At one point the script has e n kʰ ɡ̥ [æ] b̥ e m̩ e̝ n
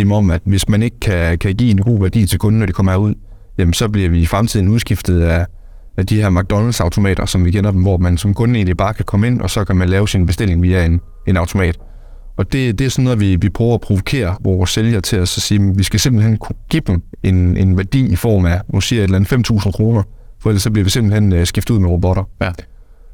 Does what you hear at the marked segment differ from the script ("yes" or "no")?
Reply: yes